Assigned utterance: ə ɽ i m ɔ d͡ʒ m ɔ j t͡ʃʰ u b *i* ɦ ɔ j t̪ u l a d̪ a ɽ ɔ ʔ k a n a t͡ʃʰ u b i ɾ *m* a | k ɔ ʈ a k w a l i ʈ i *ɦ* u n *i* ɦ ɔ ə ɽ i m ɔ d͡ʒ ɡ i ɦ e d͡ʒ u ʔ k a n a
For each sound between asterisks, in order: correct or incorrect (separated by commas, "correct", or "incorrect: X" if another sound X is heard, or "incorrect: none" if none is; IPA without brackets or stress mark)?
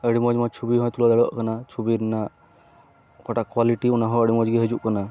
correct, incorrect: n, incorrect: none, incorrect: a